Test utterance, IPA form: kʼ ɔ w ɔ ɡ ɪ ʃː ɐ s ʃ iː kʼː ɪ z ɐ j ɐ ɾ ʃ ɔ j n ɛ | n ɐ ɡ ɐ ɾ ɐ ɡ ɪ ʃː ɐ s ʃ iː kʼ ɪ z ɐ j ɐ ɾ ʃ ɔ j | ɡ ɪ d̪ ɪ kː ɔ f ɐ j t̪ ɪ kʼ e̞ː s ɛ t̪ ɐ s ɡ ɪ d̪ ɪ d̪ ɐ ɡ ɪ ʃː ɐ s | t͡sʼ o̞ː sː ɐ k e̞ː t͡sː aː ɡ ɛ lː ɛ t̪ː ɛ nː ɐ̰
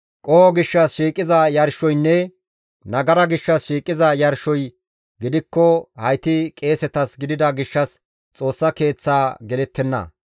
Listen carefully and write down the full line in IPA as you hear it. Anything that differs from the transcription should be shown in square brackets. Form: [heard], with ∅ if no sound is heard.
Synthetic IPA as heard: kʼ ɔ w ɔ ɡ ɪ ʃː ɐ s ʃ iː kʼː ɪ z ɐ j ɐ ɾ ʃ ɔ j [nː] ɛ | n ɐ ɡ ɐ ɾ ɐ ɡ ɪ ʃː ɐ s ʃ iː kʼ ɪ z ɐ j ɐ ɾ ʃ ɔ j | ɡ ɪ d̪ ɪ kː ɔ [h] ɐ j t̪ ɪ kʼ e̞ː s ɛ t̪ ɐ s ɡ ɪ d̪ ɪ d̪ ɐ ɡ ɪ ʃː ɐ s | t͡sʼ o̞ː sː ɐ k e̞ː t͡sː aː ɡ ɛ [l] ɛ t̪ː ɛ nː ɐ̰